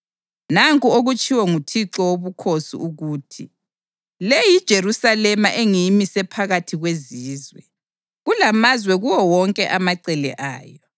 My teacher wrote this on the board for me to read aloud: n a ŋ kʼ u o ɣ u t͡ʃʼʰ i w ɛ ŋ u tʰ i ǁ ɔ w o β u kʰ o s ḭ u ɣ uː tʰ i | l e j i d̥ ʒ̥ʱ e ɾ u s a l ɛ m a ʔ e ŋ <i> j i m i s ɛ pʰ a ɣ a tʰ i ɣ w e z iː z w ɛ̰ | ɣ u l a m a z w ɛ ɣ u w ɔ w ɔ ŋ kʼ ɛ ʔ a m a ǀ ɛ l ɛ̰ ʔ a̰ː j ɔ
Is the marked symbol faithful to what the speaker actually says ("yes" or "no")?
yes